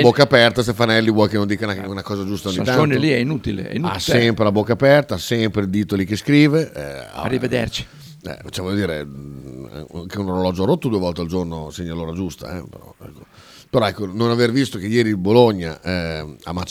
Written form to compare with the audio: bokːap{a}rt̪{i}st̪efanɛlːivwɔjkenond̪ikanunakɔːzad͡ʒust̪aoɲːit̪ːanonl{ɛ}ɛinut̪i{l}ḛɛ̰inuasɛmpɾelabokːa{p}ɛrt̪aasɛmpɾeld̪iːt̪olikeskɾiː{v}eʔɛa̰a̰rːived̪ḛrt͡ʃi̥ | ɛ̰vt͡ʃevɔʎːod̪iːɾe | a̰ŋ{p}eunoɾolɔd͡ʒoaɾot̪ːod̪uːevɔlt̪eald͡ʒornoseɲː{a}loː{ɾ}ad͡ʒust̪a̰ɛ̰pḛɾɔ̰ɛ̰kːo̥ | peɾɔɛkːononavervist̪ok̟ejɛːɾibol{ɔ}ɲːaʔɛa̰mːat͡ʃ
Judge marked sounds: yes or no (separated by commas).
no, no, no, yes, yes, yes, no, yes, yes, no